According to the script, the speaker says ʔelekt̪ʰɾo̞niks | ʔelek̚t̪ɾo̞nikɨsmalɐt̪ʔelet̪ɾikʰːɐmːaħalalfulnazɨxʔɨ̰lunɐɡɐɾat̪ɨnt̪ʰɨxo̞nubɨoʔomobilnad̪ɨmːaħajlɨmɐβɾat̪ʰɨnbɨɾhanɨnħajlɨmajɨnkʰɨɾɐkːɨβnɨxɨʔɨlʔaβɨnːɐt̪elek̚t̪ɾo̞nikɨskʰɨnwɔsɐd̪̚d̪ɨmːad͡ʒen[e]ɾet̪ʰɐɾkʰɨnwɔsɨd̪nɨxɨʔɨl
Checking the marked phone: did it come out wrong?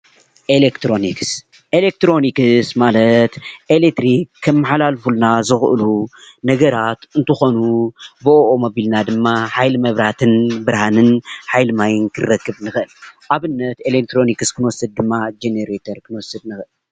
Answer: no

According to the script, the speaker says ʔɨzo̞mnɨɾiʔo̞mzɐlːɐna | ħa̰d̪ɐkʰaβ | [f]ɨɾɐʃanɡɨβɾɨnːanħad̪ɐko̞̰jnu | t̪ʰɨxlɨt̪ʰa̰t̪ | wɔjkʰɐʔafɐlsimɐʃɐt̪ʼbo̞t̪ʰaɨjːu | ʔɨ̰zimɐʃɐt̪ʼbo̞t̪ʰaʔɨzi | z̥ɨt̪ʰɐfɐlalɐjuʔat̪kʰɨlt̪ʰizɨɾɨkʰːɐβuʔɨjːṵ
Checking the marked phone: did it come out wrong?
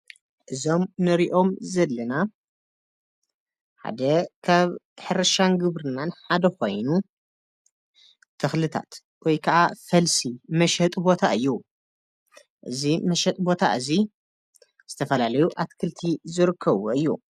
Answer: yes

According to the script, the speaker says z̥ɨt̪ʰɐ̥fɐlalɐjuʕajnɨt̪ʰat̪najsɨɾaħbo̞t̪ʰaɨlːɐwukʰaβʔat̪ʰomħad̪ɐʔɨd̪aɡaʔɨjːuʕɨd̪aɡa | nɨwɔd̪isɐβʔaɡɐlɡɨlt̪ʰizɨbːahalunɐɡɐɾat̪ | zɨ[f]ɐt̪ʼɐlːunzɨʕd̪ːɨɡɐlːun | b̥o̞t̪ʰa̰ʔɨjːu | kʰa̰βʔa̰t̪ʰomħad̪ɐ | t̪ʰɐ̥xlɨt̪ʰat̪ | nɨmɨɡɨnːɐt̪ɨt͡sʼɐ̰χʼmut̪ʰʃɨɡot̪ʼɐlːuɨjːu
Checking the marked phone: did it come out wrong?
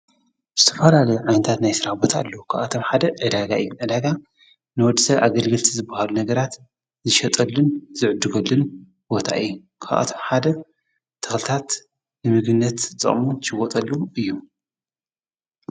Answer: yes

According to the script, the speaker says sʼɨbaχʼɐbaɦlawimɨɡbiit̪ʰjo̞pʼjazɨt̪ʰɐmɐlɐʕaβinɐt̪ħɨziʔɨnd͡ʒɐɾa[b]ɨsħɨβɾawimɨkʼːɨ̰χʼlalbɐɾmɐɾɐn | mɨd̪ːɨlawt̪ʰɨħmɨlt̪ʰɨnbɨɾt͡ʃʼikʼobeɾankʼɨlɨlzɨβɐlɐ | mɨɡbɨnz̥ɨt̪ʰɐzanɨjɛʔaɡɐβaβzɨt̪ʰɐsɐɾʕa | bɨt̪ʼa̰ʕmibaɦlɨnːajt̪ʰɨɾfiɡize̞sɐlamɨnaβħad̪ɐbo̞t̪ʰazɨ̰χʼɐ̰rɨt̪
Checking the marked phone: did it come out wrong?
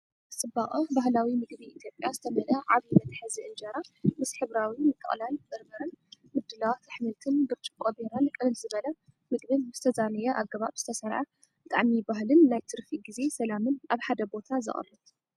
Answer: yes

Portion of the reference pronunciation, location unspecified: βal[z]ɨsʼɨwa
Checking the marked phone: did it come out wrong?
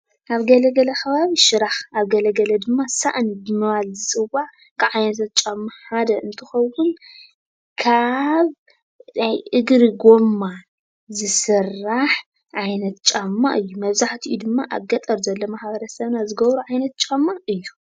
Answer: no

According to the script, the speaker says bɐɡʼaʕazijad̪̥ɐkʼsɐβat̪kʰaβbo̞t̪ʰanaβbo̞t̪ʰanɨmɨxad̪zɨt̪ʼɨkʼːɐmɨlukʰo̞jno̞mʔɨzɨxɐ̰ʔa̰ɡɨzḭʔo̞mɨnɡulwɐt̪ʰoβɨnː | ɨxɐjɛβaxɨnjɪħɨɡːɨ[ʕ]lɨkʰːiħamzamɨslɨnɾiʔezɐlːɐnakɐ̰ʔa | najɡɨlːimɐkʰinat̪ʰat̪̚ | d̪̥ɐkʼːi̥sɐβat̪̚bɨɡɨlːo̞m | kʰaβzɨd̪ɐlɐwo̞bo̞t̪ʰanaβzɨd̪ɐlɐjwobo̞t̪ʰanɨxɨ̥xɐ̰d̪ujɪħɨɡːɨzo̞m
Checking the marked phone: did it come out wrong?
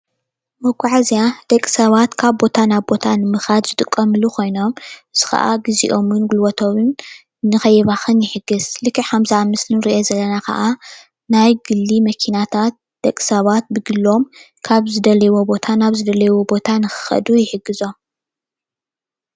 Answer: yes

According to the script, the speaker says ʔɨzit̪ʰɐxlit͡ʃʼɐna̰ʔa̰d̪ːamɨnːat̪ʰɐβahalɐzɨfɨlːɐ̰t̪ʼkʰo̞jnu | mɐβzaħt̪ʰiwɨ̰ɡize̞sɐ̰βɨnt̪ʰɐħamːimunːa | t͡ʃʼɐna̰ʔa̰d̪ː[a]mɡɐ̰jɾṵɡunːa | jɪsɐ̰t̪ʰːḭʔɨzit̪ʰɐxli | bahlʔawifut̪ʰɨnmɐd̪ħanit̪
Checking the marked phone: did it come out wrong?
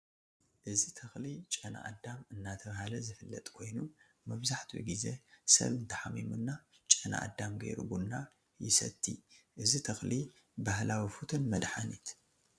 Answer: no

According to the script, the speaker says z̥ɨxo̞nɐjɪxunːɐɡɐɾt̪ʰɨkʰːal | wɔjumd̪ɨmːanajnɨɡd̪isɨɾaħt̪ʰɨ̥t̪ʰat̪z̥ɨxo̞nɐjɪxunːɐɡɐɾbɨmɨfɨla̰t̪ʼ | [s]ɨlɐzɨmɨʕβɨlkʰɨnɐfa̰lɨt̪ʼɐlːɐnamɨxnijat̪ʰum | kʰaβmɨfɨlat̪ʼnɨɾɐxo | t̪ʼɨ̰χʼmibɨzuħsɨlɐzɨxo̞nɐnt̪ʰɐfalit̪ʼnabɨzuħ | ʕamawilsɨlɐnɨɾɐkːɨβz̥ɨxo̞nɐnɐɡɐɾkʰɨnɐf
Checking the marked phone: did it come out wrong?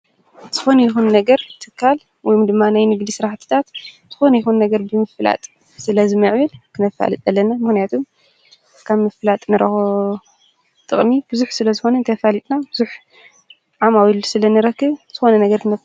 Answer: no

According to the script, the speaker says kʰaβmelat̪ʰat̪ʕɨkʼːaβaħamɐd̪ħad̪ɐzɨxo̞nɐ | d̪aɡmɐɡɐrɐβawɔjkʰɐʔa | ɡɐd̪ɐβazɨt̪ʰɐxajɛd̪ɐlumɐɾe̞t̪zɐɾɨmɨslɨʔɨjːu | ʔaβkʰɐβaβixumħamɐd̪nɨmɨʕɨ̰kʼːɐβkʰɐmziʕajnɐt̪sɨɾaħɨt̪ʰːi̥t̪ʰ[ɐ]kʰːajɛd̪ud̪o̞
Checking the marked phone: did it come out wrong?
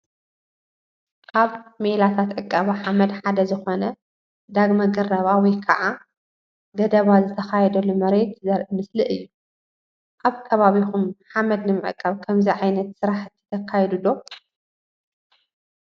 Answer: no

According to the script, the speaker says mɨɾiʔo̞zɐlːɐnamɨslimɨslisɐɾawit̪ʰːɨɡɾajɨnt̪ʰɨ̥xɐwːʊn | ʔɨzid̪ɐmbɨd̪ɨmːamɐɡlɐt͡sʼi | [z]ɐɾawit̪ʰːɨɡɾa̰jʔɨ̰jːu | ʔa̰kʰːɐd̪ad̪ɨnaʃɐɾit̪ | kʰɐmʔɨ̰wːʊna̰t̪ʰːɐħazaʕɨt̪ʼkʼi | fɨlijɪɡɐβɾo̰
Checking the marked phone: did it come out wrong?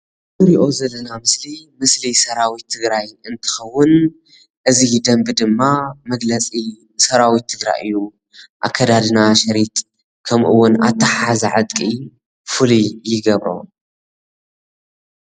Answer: yes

